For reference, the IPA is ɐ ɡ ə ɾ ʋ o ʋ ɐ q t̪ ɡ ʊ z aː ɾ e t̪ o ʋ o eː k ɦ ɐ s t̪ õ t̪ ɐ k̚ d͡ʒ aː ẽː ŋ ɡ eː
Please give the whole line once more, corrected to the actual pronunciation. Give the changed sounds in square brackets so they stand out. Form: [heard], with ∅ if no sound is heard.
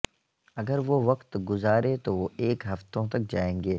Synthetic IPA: ɐ ɡ ə ɾ ʋ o ʋ ɐ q t̪ ɡ ʊ z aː ɾ e t̪ o ʋ o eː k ɦ ɐ [f] t̪ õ t̪ ɐ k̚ d͡ʒ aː ẽː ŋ ɡ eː